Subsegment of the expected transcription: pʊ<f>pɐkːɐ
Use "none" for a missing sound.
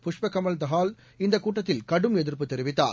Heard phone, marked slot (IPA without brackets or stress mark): ʂ